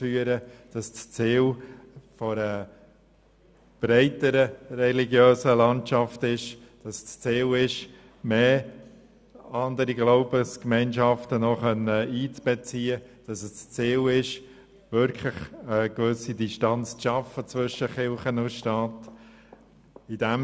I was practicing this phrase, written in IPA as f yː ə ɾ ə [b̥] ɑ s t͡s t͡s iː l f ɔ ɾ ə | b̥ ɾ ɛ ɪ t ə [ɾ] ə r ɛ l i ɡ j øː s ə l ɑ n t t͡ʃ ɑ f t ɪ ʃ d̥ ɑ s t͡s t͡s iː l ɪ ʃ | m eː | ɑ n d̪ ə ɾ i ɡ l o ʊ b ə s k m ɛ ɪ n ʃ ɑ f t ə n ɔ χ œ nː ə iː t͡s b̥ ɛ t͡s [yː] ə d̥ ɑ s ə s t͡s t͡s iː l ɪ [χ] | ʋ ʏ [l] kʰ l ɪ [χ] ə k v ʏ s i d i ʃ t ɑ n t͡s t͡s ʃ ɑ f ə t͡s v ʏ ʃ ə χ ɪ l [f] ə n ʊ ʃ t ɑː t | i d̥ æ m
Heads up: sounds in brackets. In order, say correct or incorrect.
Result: incorrect: d̥, correct, incorrect: iː, incorrect: ʃ, incorrect: ɾ, correct, incorrect: χ

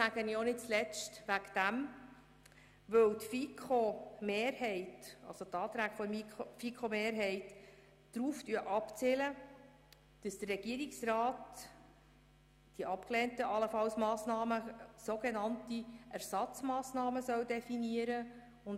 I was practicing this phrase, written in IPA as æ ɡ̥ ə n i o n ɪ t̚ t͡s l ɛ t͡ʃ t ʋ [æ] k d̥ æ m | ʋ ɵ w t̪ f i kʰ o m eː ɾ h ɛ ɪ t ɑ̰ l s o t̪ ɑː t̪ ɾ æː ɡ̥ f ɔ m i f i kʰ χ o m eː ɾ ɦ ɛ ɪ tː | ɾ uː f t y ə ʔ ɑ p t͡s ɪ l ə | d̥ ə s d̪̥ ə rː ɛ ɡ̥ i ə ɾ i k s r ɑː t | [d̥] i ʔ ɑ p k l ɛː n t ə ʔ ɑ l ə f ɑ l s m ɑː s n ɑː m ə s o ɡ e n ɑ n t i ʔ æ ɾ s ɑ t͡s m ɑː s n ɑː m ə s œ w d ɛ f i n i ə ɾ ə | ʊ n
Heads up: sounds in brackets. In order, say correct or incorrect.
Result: correct, correct

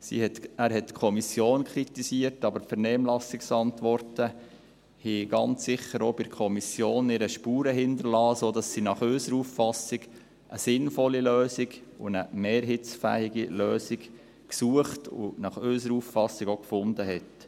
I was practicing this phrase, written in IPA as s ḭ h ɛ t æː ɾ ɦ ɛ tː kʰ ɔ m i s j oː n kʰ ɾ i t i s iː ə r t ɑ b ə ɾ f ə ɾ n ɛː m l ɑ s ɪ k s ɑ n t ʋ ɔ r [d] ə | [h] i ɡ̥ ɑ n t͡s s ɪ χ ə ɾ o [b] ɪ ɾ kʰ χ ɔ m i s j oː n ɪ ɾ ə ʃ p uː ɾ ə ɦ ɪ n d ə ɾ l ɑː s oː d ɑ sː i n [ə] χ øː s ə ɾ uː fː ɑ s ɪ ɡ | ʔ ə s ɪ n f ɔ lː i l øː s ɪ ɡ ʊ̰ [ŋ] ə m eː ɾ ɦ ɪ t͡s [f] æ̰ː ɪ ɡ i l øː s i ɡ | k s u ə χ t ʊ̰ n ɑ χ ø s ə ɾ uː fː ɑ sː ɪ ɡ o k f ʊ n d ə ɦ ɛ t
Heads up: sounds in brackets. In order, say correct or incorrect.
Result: incorrect: t, correct, correct, incorrect: ɑ, incorrect: n, correct

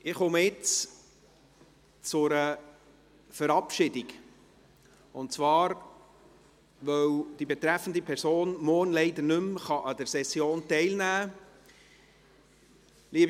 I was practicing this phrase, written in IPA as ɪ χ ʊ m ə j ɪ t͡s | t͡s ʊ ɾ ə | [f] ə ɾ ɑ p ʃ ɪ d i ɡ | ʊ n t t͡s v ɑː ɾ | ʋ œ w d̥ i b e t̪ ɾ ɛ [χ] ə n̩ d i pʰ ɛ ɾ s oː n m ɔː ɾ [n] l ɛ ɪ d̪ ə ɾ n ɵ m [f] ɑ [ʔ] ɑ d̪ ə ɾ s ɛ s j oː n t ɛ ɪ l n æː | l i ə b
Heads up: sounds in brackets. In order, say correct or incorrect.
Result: correct, incorrect: f, correct, incorrect: χ, correct

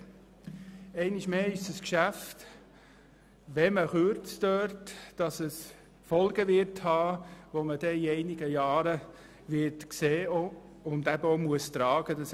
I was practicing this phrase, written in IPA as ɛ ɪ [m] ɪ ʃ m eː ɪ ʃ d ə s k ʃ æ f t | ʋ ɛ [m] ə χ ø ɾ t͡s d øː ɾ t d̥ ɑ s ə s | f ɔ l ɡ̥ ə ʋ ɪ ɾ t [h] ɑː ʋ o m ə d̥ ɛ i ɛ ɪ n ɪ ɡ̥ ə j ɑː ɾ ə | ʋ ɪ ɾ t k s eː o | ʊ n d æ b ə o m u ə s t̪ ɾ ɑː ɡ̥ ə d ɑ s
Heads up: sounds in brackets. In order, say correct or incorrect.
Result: incorrect: n, correct, correct

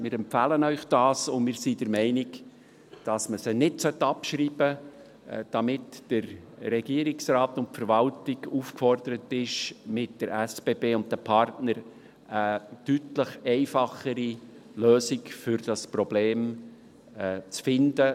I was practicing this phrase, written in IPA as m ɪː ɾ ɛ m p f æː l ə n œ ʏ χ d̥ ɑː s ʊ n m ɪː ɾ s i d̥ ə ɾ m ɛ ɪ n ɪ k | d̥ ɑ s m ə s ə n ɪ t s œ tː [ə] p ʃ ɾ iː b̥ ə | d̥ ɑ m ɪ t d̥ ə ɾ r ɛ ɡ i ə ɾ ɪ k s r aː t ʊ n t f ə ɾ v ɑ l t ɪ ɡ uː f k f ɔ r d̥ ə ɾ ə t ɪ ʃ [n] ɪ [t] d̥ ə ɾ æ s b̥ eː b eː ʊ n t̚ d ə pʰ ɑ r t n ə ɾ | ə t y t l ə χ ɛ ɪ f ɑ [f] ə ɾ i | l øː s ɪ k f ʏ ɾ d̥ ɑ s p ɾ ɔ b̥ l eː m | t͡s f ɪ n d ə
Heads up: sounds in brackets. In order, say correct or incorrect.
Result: incorrect: ɑ, incorrect: m, correct, incorrect: χ

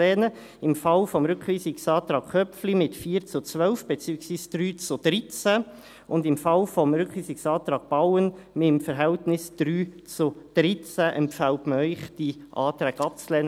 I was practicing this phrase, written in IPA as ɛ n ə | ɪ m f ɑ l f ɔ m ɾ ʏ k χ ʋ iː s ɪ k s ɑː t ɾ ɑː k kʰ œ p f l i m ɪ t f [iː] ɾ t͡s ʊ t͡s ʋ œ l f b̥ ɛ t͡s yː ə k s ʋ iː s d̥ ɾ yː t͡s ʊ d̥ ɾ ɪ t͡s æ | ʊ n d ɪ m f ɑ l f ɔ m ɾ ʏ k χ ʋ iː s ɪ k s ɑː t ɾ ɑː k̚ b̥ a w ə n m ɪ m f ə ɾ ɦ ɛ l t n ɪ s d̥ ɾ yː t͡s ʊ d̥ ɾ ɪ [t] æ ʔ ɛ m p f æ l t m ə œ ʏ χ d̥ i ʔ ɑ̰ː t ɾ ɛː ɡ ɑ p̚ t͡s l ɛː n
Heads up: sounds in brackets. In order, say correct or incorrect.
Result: correct, incorrect: t͡s

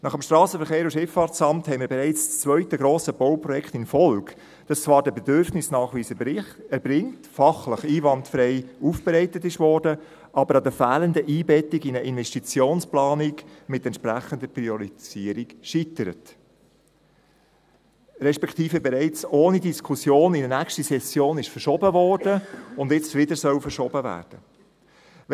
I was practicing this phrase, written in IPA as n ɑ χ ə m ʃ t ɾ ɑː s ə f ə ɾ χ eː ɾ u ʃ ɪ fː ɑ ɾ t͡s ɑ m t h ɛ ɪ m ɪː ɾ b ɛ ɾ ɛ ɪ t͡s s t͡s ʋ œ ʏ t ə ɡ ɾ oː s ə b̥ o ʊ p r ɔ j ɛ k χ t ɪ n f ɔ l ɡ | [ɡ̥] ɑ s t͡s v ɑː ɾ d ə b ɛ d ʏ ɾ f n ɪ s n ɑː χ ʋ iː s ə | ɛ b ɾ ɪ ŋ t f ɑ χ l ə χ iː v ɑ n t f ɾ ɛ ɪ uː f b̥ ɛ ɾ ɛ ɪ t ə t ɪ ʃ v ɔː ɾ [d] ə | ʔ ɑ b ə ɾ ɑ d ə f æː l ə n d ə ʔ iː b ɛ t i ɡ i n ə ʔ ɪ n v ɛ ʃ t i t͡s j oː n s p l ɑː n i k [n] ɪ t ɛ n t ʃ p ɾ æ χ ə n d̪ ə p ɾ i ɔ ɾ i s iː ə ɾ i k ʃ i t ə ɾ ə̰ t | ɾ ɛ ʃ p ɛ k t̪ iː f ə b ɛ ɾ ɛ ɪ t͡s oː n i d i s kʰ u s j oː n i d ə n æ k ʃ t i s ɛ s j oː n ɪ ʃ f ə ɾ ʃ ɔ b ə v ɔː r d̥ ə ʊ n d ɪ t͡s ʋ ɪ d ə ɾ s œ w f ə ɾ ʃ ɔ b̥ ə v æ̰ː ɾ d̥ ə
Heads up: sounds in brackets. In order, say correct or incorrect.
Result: incorrect: d̥, correct, incorrect: m

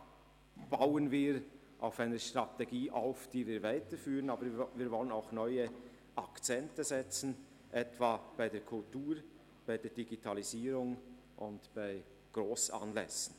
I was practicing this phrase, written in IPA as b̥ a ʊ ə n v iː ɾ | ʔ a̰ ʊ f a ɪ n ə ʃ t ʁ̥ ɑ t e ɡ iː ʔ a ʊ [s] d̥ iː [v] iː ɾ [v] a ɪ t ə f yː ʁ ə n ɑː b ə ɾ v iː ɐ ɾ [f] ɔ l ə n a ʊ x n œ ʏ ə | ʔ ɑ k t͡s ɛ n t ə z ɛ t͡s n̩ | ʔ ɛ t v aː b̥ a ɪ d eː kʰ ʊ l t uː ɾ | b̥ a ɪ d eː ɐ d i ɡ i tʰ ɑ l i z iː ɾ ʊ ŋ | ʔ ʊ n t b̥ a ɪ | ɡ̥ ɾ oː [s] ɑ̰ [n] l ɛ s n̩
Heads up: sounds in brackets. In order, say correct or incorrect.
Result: incorrect: f, correct, correct, incorrect: v, correct, correct

